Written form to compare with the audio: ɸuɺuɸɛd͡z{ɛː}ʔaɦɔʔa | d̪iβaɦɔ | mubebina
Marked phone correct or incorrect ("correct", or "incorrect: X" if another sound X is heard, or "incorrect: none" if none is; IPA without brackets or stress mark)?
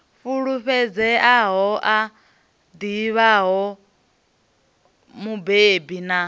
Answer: incorrect: ɛ